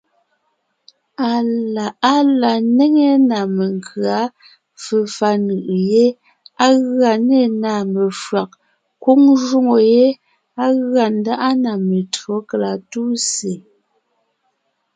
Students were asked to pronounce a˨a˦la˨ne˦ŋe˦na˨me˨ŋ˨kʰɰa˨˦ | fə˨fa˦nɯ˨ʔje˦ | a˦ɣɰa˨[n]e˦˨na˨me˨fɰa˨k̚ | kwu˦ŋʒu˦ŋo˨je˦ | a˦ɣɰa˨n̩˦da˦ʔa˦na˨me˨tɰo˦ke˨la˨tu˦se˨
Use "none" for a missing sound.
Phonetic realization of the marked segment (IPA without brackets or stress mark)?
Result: n